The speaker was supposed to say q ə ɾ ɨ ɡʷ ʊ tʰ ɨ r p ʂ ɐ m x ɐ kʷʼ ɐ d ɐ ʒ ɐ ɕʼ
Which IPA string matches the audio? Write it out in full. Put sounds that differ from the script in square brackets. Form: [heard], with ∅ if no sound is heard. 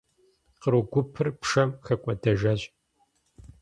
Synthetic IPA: q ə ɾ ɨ ɡʷ ʊ [pʰ] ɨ r p ʂ ɐ m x ɐ kʷʼ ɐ d ɐ ʒ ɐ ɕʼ